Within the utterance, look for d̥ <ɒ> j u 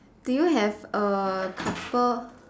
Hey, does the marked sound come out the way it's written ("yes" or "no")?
no